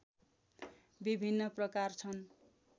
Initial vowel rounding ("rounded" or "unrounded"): unrounded